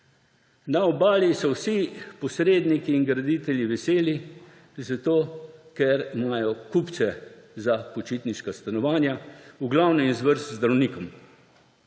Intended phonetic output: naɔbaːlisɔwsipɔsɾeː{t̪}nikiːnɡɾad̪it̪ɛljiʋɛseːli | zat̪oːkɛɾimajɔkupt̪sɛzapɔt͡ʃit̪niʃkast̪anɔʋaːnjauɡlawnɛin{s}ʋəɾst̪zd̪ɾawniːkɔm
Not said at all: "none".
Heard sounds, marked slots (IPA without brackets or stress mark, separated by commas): d̪, z